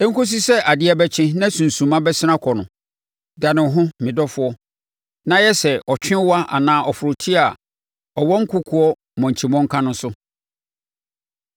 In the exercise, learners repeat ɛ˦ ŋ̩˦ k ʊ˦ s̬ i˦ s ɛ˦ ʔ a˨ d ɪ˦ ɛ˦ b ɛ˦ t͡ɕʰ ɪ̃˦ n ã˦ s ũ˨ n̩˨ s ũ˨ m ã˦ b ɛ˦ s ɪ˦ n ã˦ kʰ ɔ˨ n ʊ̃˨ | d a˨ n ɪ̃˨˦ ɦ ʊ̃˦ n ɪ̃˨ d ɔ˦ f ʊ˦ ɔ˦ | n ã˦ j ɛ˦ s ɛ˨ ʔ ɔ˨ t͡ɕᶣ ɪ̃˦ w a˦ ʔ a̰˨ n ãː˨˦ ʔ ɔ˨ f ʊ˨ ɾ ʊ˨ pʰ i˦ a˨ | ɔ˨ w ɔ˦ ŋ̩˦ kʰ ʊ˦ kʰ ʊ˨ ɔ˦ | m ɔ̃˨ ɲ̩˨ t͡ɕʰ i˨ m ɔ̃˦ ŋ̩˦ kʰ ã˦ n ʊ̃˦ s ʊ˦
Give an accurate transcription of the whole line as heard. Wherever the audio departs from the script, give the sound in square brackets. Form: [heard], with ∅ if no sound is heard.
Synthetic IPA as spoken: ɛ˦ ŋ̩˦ k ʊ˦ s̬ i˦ s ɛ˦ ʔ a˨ d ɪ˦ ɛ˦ b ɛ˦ t͡ɕʰ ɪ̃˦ n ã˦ s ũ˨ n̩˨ s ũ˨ m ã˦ b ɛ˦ s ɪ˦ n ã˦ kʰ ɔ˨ n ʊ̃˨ | d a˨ n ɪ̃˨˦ ɦ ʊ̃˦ [m] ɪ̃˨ d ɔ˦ f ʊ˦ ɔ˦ | n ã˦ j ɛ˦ s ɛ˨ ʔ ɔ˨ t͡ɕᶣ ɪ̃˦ w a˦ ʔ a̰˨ n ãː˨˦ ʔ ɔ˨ f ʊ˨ ɾ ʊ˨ [tʰ] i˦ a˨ | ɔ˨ w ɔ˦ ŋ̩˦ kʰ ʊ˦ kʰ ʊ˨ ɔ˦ | m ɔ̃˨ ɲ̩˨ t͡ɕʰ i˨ m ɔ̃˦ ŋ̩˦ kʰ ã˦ n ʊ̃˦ s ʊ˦